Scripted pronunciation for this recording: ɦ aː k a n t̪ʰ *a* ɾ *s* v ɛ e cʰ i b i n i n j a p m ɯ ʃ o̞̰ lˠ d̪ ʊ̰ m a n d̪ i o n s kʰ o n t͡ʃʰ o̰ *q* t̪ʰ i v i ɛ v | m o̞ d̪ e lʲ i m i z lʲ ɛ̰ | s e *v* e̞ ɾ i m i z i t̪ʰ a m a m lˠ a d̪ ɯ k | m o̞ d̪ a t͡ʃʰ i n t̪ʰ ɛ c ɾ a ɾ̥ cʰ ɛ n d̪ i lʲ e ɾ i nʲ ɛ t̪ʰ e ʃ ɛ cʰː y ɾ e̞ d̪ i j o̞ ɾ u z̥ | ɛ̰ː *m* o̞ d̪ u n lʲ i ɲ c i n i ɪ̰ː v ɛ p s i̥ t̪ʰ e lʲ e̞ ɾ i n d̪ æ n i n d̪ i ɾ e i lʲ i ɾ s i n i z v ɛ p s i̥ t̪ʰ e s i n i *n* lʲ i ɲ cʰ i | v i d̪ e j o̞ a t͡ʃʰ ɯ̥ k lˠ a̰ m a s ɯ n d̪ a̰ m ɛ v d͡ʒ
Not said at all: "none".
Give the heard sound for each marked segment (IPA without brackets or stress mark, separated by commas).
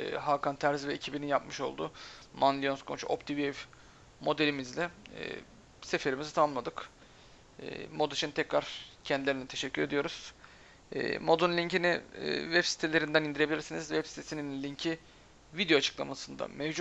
æ, z, p, f, m, n